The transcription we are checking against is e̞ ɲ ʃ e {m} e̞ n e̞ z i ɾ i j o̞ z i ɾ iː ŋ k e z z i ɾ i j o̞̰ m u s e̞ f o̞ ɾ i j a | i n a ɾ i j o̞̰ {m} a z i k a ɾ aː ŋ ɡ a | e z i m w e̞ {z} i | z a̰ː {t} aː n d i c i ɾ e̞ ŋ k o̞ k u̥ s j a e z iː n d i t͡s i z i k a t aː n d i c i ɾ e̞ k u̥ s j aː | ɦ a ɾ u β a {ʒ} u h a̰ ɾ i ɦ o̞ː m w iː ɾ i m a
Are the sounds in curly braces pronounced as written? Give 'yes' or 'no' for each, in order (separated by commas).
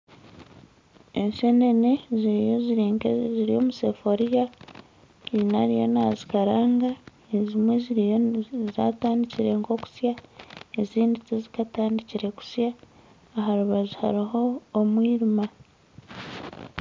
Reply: no, no, yes, yes, no